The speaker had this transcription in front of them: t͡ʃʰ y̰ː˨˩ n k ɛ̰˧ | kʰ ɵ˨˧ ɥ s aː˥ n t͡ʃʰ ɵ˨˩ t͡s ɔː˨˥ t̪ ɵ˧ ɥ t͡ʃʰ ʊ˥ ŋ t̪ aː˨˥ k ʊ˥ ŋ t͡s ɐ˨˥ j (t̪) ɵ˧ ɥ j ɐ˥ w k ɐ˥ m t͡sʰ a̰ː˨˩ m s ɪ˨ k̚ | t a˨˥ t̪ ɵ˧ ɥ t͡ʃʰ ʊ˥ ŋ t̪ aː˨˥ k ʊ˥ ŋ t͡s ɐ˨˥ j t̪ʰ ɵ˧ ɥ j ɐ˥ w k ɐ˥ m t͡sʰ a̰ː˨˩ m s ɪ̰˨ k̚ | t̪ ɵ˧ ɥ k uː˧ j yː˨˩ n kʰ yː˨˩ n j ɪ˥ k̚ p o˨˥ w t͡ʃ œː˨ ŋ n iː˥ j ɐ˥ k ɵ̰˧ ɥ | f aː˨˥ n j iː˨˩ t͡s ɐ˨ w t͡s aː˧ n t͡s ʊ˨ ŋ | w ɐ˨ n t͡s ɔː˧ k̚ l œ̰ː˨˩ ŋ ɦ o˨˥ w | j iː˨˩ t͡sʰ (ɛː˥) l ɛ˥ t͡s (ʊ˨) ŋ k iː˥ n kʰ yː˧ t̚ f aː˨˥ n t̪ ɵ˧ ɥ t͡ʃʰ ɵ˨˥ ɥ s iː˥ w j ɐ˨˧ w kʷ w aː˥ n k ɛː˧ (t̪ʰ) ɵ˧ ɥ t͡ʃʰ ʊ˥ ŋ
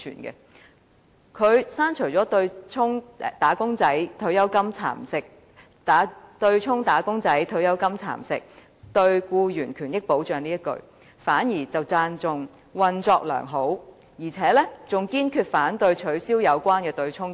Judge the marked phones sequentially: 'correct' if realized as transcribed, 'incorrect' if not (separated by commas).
incorrect, incorrect, correct, incorrect